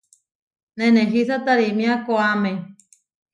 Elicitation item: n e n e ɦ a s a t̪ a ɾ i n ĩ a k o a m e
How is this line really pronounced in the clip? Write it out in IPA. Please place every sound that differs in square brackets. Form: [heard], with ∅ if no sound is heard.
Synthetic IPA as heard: n e n e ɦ [i] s a t̪ a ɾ i [m] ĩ a k o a m e